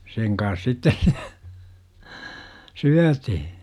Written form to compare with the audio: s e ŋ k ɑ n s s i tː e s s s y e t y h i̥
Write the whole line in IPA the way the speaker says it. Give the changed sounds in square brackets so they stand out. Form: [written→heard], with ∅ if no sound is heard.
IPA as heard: s e ŋ k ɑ n s s i tː e s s s y [e→æ] t [y→i] h i̥